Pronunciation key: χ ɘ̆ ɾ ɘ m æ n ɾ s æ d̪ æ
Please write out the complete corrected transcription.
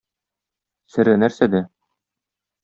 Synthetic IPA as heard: s ɘ̆ ɾ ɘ n æ ɾ s æ d̪ æ